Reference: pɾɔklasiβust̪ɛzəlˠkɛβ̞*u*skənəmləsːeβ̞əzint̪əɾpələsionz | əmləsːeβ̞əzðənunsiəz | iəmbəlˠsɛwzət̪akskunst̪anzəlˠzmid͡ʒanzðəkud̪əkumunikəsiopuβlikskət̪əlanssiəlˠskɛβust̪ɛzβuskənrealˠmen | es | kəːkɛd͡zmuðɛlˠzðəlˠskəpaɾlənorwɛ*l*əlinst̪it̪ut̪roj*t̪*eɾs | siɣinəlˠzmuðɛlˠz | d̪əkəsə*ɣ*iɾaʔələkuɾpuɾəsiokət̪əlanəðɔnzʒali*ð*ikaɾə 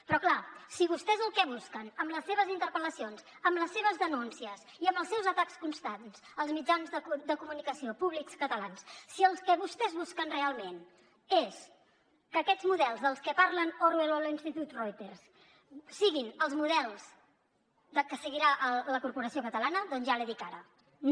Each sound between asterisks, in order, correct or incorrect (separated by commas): correct, correct, correct, correct, correct